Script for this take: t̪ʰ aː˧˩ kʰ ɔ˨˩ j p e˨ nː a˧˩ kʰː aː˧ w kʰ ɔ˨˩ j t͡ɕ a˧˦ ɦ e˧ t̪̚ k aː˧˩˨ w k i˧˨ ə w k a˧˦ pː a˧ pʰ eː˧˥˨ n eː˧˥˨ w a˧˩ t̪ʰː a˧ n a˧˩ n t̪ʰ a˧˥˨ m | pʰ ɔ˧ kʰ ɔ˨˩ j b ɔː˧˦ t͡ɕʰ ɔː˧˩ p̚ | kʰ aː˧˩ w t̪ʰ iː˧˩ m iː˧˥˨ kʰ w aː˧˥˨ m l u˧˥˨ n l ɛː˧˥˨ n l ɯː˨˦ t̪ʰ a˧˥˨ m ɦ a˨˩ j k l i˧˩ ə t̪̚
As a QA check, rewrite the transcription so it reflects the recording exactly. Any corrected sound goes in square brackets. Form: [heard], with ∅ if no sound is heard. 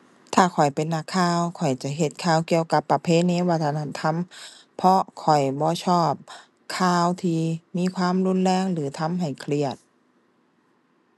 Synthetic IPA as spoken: t̪ʰ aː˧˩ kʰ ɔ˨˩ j p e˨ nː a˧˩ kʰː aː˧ w kʰ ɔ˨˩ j t͡ɕ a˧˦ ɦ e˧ t̪̚ [kʰ] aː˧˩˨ w k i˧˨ ə w k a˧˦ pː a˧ pʰ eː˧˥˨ n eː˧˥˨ w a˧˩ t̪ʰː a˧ n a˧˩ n t̪ʰ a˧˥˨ m | pʰ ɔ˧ kʰ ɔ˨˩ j b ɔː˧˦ t͡ɕʰ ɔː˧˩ p̚ | kʰ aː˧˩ w t̪ʰ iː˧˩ m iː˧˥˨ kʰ w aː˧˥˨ m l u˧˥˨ n l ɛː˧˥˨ [ŋ] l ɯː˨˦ t̪ʰ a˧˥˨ m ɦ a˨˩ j [kʰ] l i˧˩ ə t̪̚